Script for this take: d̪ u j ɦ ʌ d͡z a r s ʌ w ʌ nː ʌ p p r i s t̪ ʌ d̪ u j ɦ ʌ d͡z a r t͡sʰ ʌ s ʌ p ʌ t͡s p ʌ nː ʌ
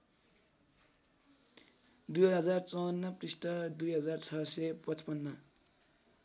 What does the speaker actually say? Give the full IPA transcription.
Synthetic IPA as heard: d̪ u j ɦ ʌ d͡z a r t͡s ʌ w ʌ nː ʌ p p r i s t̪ ʌ d̪ u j ɦ ʌ d͡z a r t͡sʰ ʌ s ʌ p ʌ t͡s p ʌ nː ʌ